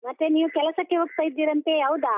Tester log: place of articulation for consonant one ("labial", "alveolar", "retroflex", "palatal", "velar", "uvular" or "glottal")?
labial